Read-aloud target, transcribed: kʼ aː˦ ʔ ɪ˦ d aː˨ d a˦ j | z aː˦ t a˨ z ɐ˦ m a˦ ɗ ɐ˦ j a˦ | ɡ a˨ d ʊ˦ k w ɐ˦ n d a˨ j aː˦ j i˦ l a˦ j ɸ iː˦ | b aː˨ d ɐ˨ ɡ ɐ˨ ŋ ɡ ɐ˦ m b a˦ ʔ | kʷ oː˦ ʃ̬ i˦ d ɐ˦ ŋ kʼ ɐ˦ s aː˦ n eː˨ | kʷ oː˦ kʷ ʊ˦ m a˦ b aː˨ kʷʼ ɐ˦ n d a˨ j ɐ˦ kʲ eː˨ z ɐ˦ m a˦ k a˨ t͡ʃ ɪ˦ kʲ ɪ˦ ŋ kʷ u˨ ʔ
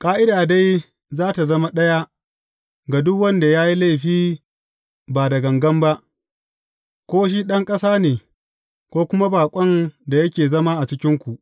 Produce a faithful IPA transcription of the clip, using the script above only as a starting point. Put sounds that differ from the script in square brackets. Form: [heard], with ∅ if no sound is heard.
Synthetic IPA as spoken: kʼ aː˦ ʔ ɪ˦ d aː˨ d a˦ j | z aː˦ t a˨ z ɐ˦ m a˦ ɗ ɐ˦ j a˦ | ɡ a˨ d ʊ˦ k w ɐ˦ n d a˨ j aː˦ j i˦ l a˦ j ɸ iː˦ | b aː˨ d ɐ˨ ɡ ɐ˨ ŋ ɡ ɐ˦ m b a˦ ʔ | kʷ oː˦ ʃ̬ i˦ [ɗ] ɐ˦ ŋ kʼ ɐ˦ s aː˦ n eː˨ | kʷ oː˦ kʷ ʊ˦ m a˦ b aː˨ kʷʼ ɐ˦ n d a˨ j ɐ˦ kʲ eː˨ z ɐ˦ m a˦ [ʔ] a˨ t͡ʃ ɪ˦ kʲ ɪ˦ ŋ kʷ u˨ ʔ